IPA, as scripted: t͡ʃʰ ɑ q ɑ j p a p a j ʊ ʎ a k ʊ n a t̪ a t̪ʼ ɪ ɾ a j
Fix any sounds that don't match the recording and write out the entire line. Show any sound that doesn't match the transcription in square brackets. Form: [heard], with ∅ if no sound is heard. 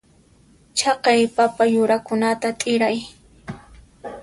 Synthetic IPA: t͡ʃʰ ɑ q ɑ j p a p a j ʊ [ɾ] a k ʊ n a t̪ a t̪ʼ ɪ ɾ a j